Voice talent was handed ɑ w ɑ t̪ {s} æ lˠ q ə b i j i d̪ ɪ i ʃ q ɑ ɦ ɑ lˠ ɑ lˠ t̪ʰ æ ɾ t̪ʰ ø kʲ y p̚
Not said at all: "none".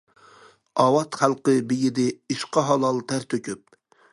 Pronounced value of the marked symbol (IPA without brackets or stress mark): χ